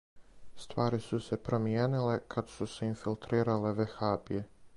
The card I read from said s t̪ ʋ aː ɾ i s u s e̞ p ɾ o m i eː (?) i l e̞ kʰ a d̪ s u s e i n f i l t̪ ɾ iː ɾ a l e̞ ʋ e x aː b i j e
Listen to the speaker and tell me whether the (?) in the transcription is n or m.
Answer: n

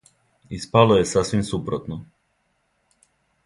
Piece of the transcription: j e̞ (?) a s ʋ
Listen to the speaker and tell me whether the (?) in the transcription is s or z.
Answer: s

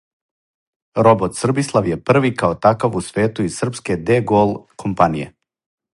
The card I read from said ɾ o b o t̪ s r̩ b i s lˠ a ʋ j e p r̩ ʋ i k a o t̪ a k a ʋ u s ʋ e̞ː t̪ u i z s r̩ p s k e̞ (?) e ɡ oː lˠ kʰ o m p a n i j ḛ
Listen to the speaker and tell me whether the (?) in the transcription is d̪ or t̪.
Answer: d̪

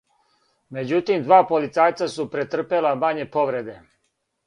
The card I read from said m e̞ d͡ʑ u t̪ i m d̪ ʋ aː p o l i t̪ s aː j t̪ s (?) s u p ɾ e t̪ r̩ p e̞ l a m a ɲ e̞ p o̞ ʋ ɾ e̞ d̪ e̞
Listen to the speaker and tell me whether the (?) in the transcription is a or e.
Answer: a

